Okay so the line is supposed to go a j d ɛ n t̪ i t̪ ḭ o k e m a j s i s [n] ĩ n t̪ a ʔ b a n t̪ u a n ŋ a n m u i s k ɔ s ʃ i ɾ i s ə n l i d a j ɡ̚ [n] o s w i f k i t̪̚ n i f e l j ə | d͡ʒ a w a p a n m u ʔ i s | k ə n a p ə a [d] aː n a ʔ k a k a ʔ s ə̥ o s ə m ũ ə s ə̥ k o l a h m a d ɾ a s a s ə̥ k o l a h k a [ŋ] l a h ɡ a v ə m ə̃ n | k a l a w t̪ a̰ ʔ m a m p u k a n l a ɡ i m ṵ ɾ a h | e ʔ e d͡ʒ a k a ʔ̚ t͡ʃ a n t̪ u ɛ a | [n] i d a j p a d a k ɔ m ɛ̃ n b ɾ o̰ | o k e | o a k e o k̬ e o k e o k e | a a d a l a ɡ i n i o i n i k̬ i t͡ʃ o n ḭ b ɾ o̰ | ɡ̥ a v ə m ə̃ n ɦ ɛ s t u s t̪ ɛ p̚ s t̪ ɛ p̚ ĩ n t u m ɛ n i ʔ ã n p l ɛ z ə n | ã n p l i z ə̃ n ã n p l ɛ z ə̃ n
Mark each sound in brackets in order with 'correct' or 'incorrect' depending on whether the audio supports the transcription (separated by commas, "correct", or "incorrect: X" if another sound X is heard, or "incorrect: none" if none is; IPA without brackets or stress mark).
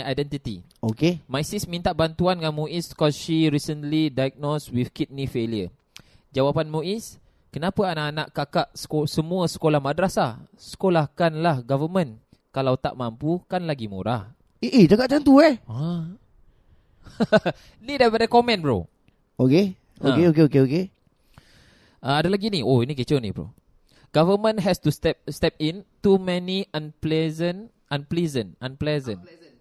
incorrect: m, correct, incorrect: n, incorrect: n, correct